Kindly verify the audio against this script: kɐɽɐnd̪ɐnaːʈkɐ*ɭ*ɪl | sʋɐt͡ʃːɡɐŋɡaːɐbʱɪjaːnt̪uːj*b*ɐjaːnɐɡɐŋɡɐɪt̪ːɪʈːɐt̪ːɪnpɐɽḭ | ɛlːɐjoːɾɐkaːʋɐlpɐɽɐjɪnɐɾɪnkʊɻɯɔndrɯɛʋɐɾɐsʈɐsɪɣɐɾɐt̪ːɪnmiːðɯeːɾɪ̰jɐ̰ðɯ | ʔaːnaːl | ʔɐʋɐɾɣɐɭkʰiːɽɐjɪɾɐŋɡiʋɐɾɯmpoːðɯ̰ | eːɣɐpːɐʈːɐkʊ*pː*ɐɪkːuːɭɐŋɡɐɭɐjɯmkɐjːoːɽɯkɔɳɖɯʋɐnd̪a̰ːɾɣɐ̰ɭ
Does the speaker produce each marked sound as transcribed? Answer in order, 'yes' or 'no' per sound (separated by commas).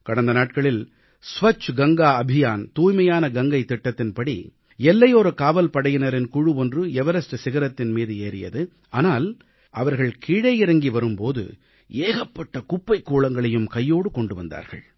yes, no, yes